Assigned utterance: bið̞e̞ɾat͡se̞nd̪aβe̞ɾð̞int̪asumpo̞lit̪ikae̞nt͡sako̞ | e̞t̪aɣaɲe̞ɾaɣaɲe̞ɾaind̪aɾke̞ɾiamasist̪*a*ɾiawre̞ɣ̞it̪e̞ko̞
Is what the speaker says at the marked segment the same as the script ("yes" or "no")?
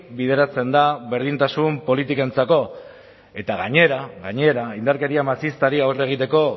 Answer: yes